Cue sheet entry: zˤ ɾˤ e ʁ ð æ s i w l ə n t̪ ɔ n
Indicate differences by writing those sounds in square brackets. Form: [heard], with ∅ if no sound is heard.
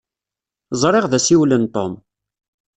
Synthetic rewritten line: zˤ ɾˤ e ʁ ð æ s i w l ə n t̪ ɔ [m]